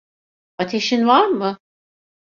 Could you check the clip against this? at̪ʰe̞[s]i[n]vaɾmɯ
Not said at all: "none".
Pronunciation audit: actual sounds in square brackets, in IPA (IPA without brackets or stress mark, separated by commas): ʃ, n